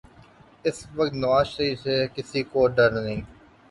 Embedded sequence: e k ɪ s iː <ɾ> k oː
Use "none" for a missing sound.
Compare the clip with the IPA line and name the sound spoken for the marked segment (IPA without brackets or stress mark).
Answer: none